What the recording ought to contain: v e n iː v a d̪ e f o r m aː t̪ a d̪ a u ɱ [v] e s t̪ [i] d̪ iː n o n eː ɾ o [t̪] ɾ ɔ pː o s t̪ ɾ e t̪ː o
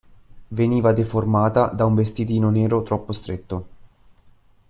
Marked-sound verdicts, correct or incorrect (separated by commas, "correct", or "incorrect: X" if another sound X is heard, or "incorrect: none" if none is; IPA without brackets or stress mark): correct, correct, correct